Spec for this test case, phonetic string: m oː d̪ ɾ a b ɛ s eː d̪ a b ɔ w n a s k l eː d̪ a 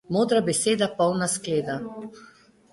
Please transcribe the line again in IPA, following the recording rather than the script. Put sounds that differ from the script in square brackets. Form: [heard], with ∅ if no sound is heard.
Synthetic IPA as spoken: m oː d̪ ɾ a b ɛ s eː d̪ a [p] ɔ w n a s k l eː d̪ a